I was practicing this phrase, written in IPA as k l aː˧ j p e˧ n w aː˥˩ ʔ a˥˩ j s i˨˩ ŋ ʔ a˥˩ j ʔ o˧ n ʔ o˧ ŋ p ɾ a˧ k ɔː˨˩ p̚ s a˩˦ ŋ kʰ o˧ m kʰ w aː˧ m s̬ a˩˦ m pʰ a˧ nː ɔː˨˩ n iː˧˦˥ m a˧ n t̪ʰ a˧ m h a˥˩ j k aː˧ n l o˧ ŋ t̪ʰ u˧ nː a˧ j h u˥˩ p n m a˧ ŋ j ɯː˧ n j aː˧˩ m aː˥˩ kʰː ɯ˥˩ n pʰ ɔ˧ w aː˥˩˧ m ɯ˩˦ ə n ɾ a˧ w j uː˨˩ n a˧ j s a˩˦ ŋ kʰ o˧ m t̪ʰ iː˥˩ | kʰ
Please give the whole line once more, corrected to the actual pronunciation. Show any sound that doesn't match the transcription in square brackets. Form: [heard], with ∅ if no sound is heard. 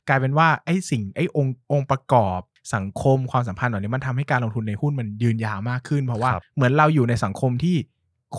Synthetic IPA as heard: k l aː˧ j p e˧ n w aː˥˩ ʔ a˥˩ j s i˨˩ ŋ ʔ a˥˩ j ʔ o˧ [ŋ] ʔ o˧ ŋ p ɾ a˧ k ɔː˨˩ p̚ s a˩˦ ŋ kʰ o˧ m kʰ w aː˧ m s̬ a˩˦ m pʰ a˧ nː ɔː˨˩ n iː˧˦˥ m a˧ n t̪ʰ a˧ m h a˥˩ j k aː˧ n l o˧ ŋ t̪ʰ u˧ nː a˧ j h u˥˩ [∅] n m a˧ [n] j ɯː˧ n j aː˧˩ m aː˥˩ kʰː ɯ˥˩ n pʰ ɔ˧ w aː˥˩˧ m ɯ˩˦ ə n ɾ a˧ w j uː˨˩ n a˧ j s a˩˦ ŋ kʰ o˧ m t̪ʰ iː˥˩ | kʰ